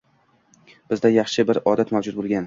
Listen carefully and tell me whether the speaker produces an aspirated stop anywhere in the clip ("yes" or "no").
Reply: no